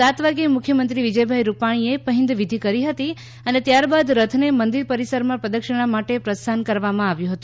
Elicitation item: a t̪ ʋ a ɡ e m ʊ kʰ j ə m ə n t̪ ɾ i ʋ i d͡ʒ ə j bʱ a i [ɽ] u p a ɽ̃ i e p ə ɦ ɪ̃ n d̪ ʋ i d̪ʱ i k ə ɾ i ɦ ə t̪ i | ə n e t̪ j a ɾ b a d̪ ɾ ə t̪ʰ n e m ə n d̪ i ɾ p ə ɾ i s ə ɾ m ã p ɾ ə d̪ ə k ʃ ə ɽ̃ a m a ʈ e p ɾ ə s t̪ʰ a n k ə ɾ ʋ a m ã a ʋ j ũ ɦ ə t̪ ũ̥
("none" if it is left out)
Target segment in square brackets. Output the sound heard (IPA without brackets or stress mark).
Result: ɾ